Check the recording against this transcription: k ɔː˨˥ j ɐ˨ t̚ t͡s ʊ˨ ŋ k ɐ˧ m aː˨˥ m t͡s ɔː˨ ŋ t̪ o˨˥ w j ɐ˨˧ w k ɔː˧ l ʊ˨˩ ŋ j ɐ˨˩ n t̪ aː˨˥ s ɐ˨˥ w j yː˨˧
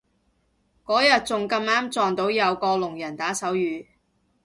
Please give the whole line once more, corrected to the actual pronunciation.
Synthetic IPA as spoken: k ɔː˨˥ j ɐ˨ t̚ t͡s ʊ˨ ŋ k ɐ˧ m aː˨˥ m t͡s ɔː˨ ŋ t̪ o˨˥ w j ɐ˨˧ w k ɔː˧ l ʊ˨˩ ŋ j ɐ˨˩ n t̪ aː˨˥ s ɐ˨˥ w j yː˨˧